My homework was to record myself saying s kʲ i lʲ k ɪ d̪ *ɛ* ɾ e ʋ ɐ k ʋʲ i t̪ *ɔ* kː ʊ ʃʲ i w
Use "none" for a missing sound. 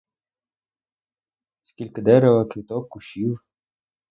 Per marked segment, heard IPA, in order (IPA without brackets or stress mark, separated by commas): ɛ, ɔ